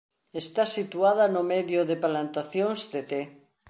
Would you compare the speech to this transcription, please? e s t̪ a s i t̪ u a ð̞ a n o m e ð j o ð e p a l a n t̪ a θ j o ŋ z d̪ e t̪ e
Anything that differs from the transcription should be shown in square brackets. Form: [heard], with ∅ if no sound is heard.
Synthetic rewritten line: e s t̪ a s i t̪ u a ð̞ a n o m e ð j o ð e p a l a n t̪ a θ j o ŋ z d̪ e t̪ e